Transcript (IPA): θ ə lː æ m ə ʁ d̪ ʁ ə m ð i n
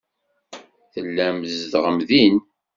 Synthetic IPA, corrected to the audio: θ ə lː æ m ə z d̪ ʁ ə m ð i n